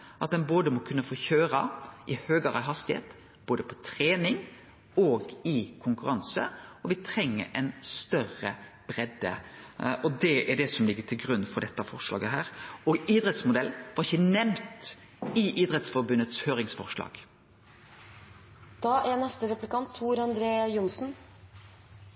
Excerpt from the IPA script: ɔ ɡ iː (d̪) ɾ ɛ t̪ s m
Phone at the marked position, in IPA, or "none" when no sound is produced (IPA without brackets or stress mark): d̪